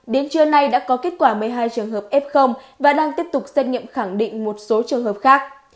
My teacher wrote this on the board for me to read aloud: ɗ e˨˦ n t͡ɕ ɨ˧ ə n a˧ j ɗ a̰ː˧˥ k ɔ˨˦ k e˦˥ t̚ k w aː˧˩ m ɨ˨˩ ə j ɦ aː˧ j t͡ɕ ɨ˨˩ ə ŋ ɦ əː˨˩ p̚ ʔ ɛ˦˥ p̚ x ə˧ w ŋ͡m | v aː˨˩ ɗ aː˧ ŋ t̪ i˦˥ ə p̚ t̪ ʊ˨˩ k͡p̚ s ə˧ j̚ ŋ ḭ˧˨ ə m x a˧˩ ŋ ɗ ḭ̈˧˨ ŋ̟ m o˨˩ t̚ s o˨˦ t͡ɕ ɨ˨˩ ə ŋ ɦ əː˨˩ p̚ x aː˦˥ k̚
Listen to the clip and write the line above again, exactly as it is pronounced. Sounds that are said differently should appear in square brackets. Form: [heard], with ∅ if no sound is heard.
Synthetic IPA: ɗ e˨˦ n t͡ɕ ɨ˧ ə n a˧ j ɗ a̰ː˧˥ k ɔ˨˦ k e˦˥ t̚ k w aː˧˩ m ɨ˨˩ ə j ɦ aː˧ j t͡ɕ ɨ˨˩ ə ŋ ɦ əː˨˩ p̚ ʔ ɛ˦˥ p̚ x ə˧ w ŋ͡m | v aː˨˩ ɗ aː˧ ŋ t̪ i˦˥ ə p̚ t̪ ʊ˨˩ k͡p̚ s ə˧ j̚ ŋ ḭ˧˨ ə m x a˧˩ ŋ ɗ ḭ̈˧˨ ŋ̟ m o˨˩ t̚ s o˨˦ t͡ɕ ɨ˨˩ ə ŋ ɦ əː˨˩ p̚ x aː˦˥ k̚